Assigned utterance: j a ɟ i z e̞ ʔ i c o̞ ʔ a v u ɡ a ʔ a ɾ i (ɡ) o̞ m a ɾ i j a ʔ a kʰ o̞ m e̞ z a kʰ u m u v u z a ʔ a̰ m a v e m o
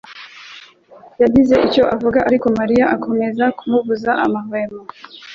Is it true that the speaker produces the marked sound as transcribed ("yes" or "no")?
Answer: no